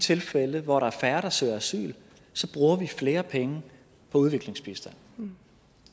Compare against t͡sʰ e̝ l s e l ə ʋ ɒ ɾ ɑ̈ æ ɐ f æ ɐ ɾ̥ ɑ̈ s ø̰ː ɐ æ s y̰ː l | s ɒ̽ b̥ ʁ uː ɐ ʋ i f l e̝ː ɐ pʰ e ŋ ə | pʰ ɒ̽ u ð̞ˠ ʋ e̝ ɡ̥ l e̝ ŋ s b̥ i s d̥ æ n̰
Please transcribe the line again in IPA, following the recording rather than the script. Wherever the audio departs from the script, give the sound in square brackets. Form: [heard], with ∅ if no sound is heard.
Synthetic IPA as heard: t͡sʰ e̝ l [f] e l ə ʋ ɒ ɾ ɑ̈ æ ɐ f æ ɐ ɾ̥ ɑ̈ s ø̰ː ɐ æ s y̰ː l | s ɒ̽ b̥ ʁ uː ɐ ʋ i f l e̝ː ɐ pʰ e ŋ ə | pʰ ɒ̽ u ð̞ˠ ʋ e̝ ɡ̥ l e̝ ŋ s b̥ i s d̥ æ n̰

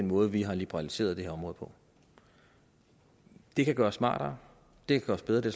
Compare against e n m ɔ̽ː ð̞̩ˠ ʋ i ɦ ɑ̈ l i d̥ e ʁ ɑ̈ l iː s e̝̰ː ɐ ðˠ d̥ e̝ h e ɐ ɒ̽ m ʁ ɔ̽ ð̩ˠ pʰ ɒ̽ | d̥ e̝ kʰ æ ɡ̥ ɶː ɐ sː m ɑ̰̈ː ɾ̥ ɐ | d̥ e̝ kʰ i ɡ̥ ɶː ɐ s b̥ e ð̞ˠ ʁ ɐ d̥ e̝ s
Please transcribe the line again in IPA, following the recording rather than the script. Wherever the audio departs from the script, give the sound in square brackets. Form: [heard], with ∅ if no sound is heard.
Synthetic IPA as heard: e n m ɔ̽ː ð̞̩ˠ ʋ i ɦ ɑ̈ l i [b̥] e ʁ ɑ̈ l [i] s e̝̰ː ɐ ðˠ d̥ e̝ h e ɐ ɒ̽ m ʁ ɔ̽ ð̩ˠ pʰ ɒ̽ | d̥ e̝ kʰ æ ɡ̥ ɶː ɐ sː m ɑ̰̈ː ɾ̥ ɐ | d̥ e̝ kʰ [æ] ɡ̥ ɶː ɐ s b̥ e ð̞ˠ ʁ ɐ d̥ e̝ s

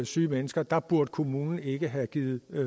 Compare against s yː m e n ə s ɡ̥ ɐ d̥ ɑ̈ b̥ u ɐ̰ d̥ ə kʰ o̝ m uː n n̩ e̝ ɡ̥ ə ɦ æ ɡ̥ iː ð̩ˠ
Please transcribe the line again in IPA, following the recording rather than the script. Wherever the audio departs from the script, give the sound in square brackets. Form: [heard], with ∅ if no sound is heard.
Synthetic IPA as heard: s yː m e n ə s ɡ̥ ɐ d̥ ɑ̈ b̥ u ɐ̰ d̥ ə kʰ o̝ m uː n n̩ e̝ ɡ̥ ə ɦ æ ɡ̥ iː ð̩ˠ

